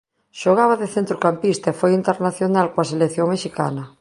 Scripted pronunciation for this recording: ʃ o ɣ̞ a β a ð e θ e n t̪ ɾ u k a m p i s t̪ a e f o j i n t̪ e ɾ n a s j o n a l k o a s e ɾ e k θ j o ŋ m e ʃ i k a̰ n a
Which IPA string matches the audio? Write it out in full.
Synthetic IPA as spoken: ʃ o ɣ̞ a β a ð e θ e n t̪ ɾ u k a m p i s t̪ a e f o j i n t̪ e ɾ n a θ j o n a l k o a s e l e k θ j o ŋ m e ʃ i k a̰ n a